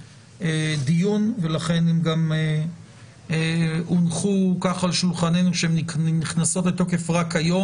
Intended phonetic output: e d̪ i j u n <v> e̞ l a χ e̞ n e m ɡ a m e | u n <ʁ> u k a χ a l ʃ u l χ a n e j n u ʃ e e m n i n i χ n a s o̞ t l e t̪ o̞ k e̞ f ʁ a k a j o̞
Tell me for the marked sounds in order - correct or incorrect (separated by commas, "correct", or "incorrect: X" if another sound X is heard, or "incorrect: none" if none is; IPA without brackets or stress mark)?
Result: correct, incorrect: χ